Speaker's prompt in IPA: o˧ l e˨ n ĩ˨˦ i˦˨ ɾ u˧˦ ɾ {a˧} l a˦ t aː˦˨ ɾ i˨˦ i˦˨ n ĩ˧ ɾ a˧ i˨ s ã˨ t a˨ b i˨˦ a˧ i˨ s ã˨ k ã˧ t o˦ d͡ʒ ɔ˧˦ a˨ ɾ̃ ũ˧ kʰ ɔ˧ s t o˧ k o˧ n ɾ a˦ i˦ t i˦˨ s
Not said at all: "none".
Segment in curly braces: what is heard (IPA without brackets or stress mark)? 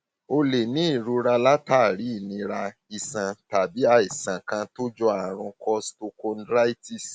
a˧